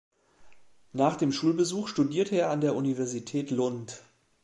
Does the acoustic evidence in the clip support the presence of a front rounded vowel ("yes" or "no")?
no